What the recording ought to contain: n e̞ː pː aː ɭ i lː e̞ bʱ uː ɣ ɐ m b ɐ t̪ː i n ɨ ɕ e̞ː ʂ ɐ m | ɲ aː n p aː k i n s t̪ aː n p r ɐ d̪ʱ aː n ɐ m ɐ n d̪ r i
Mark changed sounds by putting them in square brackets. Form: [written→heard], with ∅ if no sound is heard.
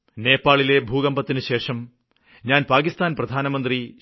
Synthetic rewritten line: n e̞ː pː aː ɭ i [lː→l] e̞ bʱ uː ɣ ɐ m b ɐ t̪ː i n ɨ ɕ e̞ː ʂ ɐ m | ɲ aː n p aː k i [n→∅] s t̪ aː n p r ɐ d̪ʱ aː n ɐ m ɐ n d̪ r i